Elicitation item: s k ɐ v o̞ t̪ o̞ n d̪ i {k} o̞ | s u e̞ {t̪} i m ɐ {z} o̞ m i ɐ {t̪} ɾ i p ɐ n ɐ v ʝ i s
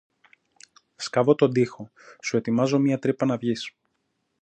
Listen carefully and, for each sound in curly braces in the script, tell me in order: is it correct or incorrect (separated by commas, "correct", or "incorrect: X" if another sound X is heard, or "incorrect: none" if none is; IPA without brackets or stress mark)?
incorrect: x, correct, correct, correct